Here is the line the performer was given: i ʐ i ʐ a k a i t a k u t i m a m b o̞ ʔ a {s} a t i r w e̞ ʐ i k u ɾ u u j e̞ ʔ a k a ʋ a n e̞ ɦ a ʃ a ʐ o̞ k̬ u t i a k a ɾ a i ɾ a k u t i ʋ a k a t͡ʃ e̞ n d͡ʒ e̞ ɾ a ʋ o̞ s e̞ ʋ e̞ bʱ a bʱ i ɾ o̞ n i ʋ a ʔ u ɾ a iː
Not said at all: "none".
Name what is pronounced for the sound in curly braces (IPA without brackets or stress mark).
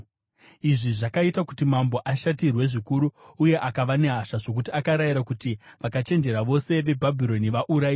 ʃ